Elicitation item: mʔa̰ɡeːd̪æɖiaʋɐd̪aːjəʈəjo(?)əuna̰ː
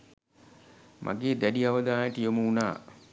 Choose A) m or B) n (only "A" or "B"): A